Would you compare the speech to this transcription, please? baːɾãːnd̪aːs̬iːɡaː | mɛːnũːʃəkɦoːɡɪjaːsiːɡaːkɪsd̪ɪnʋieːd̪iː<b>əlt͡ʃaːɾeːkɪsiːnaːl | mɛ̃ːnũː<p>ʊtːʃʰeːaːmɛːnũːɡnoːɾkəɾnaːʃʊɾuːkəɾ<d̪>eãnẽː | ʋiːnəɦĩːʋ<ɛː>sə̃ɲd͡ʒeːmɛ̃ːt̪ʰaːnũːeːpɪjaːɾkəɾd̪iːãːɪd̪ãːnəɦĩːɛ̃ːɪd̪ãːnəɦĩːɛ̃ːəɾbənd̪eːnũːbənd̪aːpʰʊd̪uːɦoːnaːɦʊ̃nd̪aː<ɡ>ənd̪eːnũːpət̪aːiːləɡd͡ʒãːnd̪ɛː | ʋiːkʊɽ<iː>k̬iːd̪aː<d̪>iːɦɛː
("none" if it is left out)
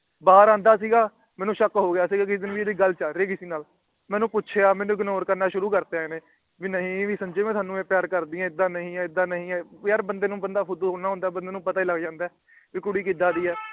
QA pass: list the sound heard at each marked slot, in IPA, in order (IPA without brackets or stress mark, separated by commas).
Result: ɡ, p, t̪, iː, b, iː, d̪